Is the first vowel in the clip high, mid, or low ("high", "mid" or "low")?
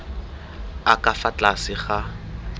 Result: low